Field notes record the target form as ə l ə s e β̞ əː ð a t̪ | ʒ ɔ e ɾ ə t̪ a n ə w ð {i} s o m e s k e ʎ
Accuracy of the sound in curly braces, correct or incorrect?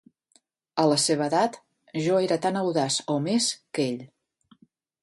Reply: incorrect